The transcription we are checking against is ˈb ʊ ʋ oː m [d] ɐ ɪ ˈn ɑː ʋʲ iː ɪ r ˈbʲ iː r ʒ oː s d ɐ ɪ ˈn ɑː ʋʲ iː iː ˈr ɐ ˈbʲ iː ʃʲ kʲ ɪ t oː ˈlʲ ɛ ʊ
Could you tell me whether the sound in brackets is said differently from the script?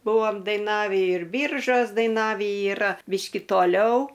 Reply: no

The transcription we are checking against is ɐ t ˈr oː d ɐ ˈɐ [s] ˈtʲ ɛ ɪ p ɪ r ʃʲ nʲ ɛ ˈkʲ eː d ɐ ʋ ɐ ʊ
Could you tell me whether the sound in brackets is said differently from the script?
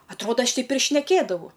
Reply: yes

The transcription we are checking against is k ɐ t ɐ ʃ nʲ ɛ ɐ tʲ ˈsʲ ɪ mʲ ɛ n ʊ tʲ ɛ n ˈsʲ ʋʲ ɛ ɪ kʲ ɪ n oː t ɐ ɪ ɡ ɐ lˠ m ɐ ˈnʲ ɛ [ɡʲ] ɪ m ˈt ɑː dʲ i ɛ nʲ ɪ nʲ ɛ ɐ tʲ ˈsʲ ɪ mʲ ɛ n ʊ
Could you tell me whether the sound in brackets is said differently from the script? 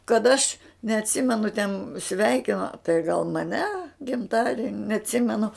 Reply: no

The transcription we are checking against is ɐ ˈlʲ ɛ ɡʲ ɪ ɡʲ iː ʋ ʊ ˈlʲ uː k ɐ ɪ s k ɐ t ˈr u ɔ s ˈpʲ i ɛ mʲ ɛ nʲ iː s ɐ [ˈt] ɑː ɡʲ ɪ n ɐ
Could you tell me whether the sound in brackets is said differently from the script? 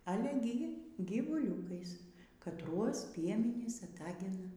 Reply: no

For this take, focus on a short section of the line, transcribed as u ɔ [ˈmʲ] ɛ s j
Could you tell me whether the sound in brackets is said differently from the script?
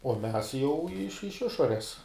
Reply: no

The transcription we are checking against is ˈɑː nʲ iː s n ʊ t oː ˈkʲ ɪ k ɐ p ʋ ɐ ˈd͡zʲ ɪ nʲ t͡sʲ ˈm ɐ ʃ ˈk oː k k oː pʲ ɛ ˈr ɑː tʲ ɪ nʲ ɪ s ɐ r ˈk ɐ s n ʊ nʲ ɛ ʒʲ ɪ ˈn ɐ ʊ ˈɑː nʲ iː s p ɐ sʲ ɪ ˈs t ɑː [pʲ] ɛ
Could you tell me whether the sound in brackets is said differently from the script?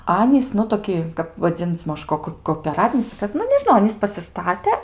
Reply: yes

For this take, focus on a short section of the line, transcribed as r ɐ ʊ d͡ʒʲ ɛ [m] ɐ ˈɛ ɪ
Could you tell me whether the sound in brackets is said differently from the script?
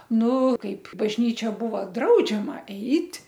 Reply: no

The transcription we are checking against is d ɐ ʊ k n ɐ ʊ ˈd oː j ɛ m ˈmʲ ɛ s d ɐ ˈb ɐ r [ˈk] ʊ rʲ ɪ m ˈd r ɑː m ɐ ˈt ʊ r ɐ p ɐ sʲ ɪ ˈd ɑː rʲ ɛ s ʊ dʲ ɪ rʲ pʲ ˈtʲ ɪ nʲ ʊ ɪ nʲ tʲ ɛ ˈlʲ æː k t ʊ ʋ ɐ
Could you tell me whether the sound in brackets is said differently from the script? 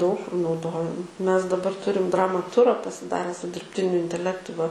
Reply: yes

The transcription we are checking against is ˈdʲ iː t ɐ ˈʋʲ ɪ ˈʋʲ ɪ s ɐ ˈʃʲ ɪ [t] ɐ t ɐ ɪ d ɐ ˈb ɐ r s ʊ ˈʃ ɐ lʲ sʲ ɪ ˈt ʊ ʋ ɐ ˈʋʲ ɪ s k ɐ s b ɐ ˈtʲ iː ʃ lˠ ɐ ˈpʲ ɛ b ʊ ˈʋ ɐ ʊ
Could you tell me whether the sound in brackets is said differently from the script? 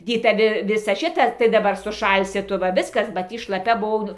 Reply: no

